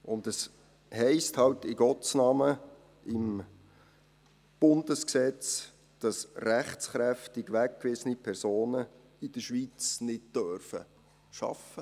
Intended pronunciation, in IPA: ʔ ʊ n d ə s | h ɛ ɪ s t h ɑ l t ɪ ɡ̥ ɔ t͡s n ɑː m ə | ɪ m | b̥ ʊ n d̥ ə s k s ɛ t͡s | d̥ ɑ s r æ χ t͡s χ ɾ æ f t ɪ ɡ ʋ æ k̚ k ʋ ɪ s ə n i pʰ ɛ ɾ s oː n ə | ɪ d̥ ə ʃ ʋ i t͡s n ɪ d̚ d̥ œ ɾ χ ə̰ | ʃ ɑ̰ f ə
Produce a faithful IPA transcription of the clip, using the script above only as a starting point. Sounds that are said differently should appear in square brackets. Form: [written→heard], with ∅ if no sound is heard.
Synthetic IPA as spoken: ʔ ʊ n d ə s | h ɛ ɪ s t h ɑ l t ɪ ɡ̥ ɔ t͡s n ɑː m ə | ɪ m | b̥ ʊ n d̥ ə s k s ɛ t͡s | d̥ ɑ s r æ χ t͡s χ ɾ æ f t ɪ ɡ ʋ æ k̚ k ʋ ɪ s ə n i pʰ ɛ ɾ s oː n ə | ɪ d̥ ə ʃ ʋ i t͡s n ɪ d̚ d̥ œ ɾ [χ→f] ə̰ | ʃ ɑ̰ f ə